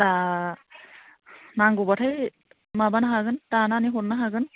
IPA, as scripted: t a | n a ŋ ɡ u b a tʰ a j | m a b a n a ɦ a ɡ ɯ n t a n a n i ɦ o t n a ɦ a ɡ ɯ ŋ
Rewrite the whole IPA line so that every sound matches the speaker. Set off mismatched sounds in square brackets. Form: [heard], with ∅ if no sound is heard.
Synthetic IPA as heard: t a | n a ŋ ɡ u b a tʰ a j | m a b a n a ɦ a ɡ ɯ n t a n a n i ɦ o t n a ɦ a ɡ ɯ [n]